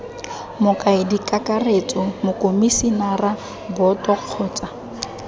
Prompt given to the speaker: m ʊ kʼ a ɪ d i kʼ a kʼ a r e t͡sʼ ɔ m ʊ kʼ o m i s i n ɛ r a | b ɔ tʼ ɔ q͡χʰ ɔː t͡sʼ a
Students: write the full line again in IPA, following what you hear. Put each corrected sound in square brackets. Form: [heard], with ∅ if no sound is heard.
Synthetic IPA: m ʊ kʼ a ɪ d i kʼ a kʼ a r e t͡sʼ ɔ m ʊ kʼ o m i s i n [a] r a | b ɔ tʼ ɔ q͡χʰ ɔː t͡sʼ a